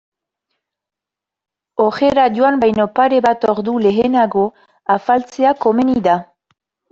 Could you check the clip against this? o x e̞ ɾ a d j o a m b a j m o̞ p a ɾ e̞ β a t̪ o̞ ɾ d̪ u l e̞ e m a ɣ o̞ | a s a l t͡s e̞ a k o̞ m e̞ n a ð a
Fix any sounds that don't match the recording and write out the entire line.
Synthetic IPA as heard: o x e̞ ɾ a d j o a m b a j n o̞ p a ɾ e̞ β a t̪ o̞ ɾ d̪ u l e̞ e n a ɣ o̞ | a f a l t͡s e̞ a k o̞ m e̞ n i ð a